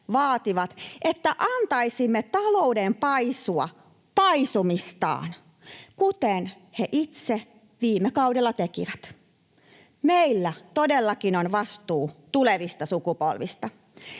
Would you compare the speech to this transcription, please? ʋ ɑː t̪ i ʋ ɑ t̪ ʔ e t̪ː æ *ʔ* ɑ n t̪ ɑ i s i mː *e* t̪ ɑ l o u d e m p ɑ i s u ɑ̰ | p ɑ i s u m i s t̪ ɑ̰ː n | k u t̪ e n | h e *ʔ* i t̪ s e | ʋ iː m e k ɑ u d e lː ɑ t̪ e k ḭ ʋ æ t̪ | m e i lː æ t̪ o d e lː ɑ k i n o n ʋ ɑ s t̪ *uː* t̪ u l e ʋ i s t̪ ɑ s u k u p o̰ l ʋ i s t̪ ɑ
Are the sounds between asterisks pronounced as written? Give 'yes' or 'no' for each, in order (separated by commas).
yes, yes, yes, yes